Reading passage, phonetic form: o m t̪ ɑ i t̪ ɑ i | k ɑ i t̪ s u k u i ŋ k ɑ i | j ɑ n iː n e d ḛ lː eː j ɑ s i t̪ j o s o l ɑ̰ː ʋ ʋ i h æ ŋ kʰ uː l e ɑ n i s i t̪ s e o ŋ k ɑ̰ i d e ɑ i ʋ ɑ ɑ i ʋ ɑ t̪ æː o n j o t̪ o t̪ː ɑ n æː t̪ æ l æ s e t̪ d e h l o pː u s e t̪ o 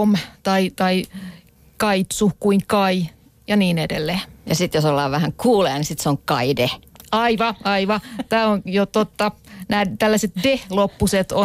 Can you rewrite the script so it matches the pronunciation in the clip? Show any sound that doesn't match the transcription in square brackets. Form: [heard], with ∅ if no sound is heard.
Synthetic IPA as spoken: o m t̪ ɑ i t̪ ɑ i | k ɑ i t̪ s u k u i ŋ k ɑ i | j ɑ n iː n e d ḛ lː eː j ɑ s i t̪ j o s o [lː] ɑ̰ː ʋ ʋ [æ] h æ ŋ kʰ uː l e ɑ n i s i t̪ s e o ŋ k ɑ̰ i d e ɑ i ʋ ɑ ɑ i ʋ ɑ t̪ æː o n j o t̪ o t̪ː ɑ n æː t̪ æ [lː] æ s e t̪ d e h l o pː u s e t̪ o